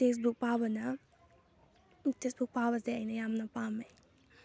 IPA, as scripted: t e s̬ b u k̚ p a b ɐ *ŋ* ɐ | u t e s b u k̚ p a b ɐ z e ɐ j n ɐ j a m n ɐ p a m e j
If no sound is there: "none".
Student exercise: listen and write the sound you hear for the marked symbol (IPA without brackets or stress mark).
n